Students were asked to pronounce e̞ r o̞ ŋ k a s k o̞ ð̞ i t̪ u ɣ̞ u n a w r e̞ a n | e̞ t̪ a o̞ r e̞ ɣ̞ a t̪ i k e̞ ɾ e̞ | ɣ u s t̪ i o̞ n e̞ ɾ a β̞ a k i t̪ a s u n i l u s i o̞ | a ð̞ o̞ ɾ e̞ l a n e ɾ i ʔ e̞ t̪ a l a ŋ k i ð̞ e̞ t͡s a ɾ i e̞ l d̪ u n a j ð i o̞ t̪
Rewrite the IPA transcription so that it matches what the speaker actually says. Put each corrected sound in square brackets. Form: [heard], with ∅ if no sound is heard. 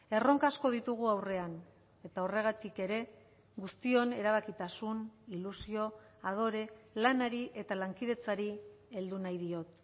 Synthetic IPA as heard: e̞ r o̞ ŋ k a s k o̞ ð̞ i t̪ u ɣ̞ u [∅] a w r e̞ a n | e̞ t̪ a o̞ r e̞ ɣ̞ a t̪ i k e̞ ɾ e̞ | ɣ u s t̪ i o̞ n e̞ ɾ a β̞ a k i t̪ a s u n i l u s i o̞ | a ð̞ o̞ ɾ e̞ l a n [a] ɾ i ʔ e̞ t̪ a l a ŋ k i ð̞ e̞ t͡s a ɾ i e̞ l d̪ u n a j ð i o̞ t̪